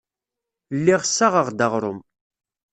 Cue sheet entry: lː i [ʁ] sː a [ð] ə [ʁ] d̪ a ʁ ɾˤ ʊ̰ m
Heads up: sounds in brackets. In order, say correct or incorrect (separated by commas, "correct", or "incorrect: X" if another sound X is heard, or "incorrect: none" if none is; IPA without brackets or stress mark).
correct, incorrect: ʁ, correct